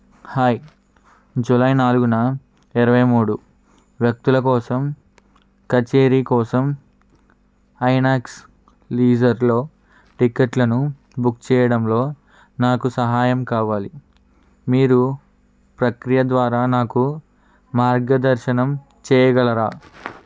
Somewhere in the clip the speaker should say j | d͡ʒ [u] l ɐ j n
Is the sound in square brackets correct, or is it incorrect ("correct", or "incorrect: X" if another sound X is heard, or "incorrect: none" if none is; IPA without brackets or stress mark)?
correct